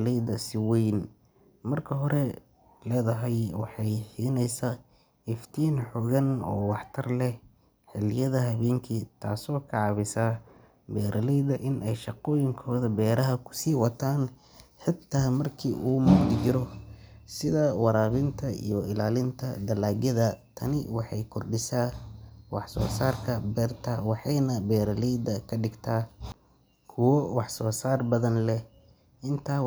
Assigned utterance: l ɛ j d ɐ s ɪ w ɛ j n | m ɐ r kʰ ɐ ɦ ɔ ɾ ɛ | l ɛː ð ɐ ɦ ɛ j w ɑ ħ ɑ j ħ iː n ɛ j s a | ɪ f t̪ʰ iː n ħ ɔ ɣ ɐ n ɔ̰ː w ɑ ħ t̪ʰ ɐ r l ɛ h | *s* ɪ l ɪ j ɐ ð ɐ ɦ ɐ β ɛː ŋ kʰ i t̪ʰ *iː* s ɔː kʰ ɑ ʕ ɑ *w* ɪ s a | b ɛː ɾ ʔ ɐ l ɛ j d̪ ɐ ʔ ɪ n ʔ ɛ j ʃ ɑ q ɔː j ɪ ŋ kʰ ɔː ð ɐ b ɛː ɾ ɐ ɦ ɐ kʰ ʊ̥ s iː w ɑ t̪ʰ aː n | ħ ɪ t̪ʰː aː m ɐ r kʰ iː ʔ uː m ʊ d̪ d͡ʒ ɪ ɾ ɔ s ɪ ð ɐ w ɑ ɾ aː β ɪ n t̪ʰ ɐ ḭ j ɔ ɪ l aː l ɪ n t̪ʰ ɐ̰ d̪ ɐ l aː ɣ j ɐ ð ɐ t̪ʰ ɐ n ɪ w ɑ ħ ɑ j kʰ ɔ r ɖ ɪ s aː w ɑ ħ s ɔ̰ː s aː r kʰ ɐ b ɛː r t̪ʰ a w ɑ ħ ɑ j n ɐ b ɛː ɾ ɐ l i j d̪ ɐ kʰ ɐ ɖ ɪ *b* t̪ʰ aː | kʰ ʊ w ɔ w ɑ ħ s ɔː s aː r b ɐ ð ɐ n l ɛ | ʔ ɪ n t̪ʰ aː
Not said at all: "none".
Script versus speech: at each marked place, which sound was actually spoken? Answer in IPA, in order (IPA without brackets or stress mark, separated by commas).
ħ, aː, β, ɡ